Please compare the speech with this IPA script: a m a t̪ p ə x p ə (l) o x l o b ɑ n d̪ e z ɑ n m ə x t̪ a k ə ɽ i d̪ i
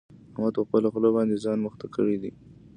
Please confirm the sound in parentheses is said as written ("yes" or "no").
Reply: yes